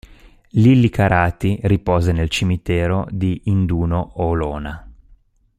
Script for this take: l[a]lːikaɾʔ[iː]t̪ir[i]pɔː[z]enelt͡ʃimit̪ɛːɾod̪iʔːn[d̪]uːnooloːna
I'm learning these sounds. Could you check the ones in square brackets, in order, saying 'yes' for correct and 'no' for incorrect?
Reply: no, no, yes, yes, yes

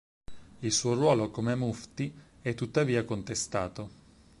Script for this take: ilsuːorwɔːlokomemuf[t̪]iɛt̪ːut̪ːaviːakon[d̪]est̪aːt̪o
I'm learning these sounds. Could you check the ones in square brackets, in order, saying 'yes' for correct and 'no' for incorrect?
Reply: yes, no

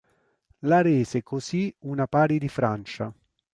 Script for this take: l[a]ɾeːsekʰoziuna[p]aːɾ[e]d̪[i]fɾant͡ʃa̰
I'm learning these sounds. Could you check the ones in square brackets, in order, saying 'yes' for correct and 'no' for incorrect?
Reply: yes, yes, no, yes

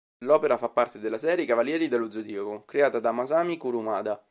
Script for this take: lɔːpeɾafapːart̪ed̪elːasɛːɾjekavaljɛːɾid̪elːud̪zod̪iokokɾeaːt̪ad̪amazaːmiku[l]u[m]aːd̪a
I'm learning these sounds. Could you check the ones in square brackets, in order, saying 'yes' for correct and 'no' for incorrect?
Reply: no, yes

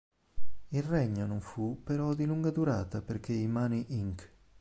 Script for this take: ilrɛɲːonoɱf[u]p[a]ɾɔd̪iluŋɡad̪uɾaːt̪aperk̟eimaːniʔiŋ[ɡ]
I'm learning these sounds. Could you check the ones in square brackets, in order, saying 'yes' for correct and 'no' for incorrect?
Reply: yes, no, no

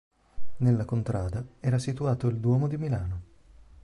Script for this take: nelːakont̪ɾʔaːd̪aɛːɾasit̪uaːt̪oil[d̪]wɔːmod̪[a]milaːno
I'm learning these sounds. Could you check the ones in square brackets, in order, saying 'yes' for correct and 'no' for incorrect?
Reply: yes, no

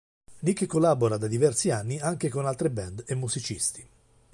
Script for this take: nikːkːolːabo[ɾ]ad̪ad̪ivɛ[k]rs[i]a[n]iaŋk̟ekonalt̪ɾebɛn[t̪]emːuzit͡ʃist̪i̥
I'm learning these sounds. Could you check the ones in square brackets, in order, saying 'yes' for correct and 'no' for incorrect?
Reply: yes, no, yes, no, no

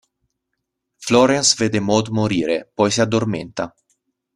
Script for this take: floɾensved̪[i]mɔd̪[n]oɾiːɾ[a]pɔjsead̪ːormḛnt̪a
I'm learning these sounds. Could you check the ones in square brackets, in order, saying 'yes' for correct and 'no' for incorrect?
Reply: no, no, no

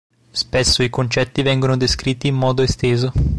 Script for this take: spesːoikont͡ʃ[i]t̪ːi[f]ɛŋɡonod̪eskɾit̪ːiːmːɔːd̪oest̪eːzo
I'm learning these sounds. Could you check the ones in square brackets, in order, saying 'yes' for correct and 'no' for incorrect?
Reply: no, no

